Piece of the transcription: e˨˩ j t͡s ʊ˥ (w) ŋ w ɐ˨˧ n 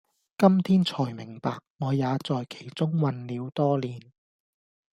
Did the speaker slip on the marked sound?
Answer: yes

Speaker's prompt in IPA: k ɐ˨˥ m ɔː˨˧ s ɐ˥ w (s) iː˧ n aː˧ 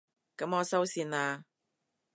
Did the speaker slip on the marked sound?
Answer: no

